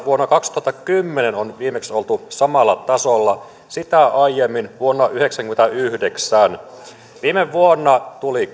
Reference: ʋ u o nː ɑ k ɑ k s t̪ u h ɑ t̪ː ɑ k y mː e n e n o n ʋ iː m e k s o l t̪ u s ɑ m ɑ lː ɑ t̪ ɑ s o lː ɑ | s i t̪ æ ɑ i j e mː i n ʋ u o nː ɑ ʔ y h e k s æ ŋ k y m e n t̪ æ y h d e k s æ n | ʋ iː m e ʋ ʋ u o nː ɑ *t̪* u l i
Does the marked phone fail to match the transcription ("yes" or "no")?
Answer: no